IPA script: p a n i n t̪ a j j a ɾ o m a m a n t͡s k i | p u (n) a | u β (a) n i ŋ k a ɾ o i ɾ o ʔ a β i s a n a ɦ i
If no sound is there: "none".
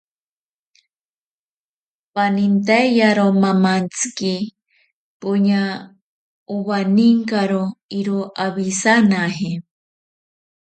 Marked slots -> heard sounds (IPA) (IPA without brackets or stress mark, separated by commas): ɲ, a